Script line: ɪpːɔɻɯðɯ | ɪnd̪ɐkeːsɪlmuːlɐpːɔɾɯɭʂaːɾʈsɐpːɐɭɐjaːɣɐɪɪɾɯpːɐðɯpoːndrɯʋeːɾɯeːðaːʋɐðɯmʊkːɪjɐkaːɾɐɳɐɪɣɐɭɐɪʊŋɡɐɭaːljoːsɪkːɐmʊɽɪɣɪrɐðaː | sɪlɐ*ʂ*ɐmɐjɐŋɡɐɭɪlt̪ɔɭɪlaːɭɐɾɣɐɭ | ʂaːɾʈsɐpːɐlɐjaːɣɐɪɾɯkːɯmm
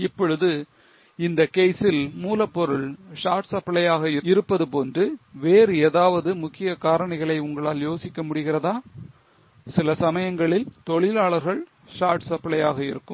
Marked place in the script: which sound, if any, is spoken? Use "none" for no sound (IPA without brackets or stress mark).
s